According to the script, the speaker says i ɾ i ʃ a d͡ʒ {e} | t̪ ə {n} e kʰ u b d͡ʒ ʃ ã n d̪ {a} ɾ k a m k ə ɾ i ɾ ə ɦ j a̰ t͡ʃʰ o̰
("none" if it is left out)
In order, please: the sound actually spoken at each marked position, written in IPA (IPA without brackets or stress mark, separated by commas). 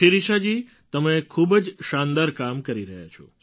i, m, a